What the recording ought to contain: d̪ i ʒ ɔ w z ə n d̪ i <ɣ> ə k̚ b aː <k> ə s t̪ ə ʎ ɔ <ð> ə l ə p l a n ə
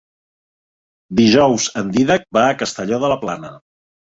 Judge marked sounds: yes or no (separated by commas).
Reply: no, yes, yes